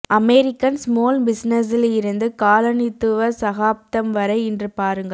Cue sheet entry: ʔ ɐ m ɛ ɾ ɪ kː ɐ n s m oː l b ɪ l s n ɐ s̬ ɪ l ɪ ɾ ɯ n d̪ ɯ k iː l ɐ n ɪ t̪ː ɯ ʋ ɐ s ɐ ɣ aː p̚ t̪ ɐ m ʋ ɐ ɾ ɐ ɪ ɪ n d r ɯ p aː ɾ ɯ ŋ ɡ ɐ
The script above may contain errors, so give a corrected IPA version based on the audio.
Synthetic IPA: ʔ ɐ m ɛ ɾ ɪ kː ɐ n s m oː l b ɪ s n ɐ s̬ ɪ l ɪ ɾ ɯ n d̪ ɯ k aː l ɐ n ɪ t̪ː ɯ ʋ ɐ s ɐ ɣ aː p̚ t̪ ɐ m ʋ ɐ ɾ ɐ ɪ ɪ n d r ɯ p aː ɾ ɯ ŋ ɡ ɐ